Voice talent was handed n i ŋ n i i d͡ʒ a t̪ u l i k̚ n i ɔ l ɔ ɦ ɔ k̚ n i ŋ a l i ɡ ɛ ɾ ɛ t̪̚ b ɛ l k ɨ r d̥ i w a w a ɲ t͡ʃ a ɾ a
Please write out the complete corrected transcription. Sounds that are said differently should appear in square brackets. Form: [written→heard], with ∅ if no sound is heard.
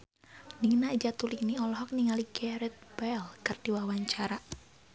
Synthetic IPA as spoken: n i ŋ n [i→a] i d͡ʒ a t̪ u l i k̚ n i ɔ l ɔ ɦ ɔ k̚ n i ŋ a l i ɡ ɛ ɾ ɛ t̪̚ b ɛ l k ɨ r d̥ i w a w a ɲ t͡ʃ a ɾ a